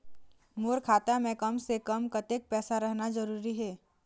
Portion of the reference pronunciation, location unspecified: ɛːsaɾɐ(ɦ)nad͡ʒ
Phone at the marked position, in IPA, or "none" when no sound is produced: ɦ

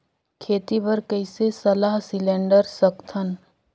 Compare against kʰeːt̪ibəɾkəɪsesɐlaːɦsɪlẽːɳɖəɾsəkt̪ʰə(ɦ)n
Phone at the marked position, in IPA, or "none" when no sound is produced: none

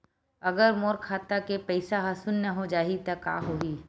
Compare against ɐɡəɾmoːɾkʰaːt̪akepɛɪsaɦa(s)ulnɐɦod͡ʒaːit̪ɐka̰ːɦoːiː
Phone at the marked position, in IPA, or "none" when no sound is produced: s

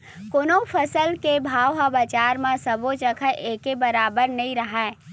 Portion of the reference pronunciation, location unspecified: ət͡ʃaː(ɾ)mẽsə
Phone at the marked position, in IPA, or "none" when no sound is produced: ɾ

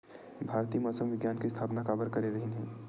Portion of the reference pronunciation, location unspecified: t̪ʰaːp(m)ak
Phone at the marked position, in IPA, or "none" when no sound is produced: n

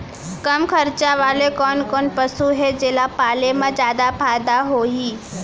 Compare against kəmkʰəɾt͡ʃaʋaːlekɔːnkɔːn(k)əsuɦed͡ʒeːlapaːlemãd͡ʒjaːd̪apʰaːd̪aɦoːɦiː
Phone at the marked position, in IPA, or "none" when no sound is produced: p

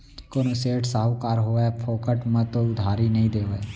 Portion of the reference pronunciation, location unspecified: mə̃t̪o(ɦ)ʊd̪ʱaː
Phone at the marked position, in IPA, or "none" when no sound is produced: none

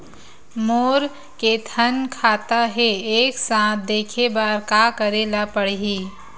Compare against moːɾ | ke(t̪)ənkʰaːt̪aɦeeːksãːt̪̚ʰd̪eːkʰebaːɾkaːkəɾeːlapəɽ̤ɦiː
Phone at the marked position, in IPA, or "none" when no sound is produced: t̪ʰ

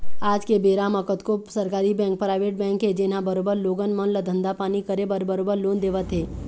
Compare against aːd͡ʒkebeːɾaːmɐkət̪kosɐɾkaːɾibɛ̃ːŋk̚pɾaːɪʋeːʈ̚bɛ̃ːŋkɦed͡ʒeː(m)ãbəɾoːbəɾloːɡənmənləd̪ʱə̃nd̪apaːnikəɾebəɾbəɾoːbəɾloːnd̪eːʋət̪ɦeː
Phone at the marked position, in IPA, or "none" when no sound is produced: n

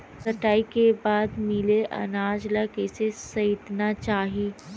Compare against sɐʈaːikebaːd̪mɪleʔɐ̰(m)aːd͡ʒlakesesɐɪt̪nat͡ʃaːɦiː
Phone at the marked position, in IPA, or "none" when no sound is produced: n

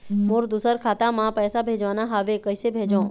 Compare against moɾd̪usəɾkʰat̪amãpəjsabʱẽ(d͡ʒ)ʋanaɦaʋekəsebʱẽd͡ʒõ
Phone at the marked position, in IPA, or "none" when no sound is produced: d͡ʒ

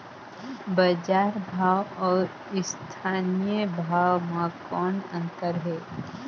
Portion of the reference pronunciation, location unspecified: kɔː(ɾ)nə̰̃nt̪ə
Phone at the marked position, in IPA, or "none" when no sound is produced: none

